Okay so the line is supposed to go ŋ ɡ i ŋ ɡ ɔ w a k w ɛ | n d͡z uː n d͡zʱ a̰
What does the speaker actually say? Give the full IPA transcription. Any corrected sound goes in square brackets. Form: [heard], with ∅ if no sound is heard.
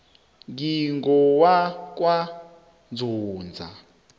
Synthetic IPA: ŋ ɡ i ŋ ɡ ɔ w a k w [a] | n d͡z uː n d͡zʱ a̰